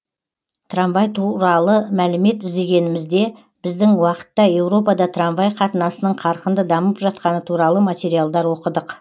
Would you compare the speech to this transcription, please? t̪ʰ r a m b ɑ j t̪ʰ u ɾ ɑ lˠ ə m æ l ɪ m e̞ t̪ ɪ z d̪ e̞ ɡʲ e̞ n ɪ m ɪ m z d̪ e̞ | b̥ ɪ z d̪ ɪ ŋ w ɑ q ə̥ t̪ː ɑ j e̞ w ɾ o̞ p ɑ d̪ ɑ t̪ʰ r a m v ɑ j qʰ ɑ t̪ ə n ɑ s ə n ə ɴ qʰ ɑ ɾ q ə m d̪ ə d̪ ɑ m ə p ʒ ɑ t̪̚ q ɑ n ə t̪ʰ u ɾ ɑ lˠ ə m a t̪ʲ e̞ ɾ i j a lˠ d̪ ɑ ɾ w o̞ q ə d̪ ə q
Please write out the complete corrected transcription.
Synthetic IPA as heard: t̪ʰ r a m v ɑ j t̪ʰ u ɾ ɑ lˠ ə m æ l ɪ m e̞ t̪ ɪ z d̪ e̞ ɡʲ e̞ n ɪ m ɪ z d̪ e̞ | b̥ ɪ z d̪ ɪ ŋ w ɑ q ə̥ t̪ː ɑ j e̞ w ɾ o̞ p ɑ d̪ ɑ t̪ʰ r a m v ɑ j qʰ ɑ t̪ ə n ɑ s ə n ə ɴ qʰ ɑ ɾ q ə n d̪ ə d̪ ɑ m ə p ʒ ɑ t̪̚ q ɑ n ə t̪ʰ u ɾ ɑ lˠ ə m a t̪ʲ e̞ ɾ i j a lˠ d̪ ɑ ɾ w o̞ q ə d̪ ə q

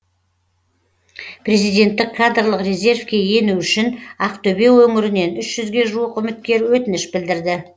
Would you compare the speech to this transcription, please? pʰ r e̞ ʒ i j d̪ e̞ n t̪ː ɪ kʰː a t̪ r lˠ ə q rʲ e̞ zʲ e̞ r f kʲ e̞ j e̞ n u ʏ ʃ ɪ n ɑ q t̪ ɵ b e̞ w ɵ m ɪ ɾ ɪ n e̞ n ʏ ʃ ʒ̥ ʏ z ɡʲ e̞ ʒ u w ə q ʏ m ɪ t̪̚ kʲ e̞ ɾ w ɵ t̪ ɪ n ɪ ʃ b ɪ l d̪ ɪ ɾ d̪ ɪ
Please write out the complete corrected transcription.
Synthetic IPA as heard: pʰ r e̞ z i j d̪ e̞ n t̪ː ɪ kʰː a d̪ r lˠ ə q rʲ e̞ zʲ e̞ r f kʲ e̞ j e̞ n u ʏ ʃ ɪ n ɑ q t̪ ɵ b e̞ w ɵ ŋ ɪ ɾ ɪ n e̞ n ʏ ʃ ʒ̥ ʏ z ɡʲ e̞ ʒ u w ə q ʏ m ɪ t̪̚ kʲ e̞ ɾ w ɵ t̪ ɪ n ɪ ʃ b ɪ l d̪ ɪ ɾ d̪ ɪ

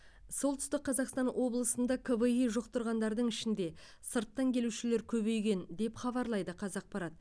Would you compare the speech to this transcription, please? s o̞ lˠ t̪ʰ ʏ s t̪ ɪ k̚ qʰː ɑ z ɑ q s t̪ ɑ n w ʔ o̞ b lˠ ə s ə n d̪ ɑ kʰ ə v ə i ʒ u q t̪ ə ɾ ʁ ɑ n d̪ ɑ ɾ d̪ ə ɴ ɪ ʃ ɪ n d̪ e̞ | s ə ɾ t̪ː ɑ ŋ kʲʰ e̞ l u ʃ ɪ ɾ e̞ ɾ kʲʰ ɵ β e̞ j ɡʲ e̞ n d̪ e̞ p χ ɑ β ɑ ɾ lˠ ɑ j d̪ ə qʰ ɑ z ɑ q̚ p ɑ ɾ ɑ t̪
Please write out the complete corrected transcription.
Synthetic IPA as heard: s o̞ lˠ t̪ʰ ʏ s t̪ ɪ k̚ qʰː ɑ z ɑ q s t̪ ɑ n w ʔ o̞ b lˠ ə s ə n d̪ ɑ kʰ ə v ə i ʒ o q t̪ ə ɾ ʁ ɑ n d̪ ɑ ɾ d̪ ə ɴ ɪ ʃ ɪ n d̪ e̞ | s ə ɾ t̪ː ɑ ŋ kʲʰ e̞ l u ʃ ɪ l e̞ ɾ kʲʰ ɵ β e̞ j ɡʲ e̞ n d̪ e̞ p χ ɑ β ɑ ɾ lˠ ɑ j d̪ ə qʰ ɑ z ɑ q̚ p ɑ ɾ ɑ t̪

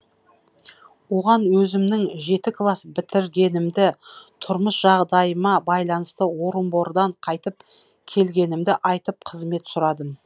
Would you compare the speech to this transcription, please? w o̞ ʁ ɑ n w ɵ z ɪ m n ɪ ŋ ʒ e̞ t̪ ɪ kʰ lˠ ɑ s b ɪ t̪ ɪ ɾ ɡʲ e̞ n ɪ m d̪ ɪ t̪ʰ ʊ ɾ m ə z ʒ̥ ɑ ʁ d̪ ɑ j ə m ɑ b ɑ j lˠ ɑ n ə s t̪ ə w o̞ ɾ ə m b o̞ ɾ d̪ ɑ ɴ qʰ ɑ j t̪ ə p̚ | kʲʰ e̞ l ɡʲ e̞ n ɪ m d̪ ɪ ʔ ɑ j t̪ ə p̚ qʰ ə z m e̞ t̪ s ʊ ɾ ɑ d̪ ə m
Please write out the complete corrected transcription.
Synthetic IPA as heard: w o̞ ʁ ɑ n w ɵ z ɪ m n ɪ ŋ ʒ e̞ t̪ ɪ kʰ lˠ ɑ s b ɪ t̪ ɪ ɾ ɡʲ e̞ n ɪ m d̪ ɪ t̪ʰ ʊ ɾ m ə s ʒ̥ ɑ ʁ d̪ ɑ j ə m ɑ b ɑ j lˠ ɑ n ə s t̪ ə w o̞ ɾ ə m b o̞ ɾ d̪ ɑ ɴ qʰ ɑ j t̪ ə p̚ | kʲʰ e̞ l ɡʲ e̞ n ɪ m d̪ ɪ ʔ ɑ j t̪ ə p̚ qʰ ə z m e̞ t̪ s ʊ ɾ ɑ d̪ ə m

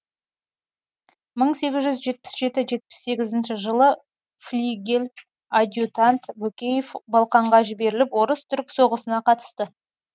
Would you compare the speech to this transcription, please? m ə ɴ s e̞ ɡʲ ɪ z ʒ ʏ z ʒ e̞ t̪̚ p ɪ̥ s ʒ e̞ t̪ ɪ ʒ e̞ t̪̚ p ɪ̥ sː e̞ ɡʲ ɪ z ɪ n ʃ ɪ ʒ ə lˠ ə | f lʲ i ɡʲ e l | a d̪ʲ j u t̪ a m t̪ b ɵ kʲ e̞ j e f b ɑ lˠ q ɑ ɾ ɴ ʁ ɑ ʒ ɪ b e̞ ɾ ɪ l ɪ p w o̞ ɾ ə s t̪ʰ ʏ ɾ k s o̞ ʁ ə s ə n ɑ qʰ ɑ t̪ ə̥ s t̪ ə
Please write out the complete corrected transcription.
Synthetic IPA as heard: m ə ɴ s e̞ ɡʲ ɪ z ʒ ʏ z ʒ e̞ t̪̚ p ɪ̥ s ʒ e̞ t̪ ɪ ʒ e̞ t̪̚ p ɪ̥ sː e̞ ɡʲ ɪ z ɪ n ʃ ɪ ʒ ə lˠ ə | f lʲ i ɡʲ e l | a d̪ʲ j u t̪ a n t̪ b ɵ kʲ e̞ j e f b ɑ lˠ q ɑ ɴ ʁ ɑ ʒ ɪ b e̞ ɾ ɪ l ɪ p w o̞ ɾ ə s t̪ʰ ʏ ɾ k s o̞ ʁ ə s ə n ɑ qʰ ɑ t̪ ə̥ s t̪ ə

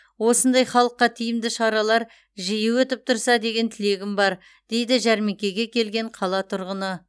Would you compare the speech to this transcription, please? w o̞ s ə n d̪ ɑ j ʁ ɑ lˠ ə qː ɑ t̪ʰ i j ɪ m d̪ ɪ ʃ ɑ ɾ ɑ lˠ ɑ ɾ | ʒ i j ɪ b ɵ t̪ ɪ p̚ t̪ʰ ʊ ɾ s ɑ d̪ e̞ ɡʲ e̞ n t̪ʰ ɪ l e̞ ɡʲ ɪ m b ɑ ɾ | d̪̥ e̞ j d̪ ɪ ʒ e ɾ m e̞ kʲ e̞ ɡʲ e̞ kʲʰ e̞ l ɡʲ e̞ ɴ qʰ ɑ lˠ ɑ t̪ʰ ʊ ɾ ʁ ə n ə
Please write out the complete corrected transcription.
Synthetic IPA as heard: w o̞ s ə n d̪ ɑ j χ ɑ lˠ ə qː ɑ t̪ʰ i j ɪ m d̪ ɪ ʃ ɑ ɾ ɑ lˠ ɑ ɾ | ʒ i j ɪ w ɵ t̪ ɪ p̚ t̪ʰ ʊ ɾ s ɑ d̪ e̞ ɡʲ e̞ n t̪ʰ ɪ l e̞ ɡʲ ɪ m b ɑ ɾ | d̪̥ e̞ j d̪ ɪ ʒ æ ɾ m e̞ kʲ e̞ ɡʲ e̞ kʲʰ e̞ l ɡʲ e̞ ɴ qʰ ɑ lˠ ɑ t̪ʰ ʊ ɾ ʁ ə n ə

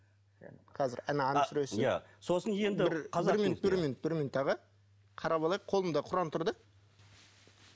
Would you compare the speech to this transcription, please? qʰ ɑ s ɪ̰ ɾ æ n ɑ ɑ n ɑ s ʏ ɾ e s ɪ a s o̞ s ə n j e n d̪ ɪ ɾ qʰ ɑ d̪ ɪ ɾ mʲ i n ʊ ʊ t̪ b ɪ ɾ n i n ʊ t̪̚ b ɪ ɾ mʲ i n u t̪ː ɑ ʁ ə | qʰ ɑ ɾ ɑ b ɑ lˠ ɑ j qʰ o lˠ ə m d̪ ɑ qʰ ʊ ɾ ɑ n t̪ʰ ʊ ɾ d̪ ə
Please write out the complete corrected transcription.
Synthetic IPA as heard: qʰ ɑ z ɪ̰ ɾ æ n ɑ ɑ n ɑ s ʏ ɾ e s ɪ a s o̞ s ə n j e n d̪ ɪ ɾ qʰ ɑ ɪ ɾ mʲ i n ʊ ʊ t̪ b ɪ ɾ m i n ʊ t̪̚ b ɪ ɾ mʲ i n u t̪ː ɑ ʁ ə | qʰ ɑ ɾ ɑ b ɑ lˠ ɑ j qʰ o lˠ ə m d̪ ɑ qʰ ʊ ɾ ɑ n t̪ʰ ʊ ɾ d̪ ə

